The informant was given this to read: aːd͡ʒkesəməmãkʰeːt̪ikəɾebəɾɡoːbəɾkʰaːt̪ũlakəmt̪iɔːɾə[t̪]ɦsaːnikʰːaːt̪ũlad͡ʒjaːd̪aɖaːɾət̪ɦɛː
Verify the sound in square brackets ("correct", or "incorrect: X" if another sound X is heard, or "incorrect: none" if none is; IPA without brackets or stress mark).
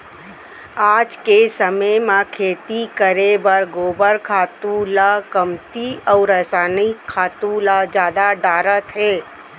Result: incorrect: none